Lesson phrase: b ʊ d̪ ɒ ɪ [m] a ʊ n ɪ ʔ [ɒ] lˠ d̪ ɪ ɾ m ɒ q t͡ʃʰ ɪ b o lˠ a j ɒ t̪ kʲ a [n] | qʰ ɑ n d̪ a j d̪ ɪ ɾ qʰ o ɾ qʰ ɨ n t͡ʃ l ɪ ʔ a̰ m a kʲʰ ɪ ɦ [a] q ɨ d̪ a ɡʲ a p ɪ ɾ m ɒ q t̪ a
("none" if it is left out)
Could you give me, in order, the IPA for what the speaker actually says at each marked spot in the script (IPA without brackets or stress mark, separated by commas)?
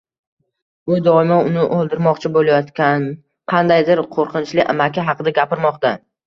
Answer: m, o, n, ɑ